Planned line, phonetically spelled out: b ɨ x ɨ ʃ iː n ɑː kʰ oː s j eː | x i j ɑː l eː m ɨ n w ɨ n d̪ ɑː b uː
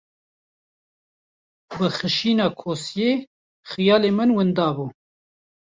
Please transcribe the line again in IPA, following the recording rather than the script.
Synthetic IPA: b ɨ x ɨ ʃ iː n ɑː kʰ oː s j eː | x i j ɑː l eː m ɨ n w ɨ n d̪ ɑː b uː